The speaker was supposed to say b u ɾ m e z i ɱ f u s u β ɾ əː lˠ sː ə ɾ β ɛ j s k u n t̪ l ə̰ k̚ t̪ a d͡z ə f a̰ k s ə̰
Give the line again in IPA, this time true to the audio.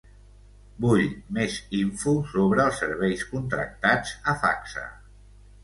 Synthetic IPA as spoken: b u ʎ m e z i ɱ f u s o β ɾ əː lˠ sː ə ɾ β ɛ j s k u n t̪ ɾ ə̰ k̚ t̪ a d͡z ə f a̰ k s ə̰